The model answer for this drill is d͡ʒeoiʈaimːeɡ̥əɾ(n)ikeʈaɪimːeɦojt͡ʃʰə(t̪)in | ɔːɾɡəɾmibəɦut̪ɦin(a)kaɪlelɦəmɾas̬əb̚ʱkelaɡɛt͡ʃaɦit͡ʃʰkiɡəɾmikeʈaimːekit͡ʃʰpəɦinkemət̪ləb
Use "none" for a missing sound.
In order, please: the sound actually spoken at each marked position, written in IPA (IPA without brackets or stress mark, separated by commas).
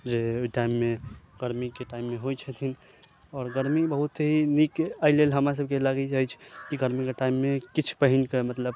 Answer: m, t̪ʰ, i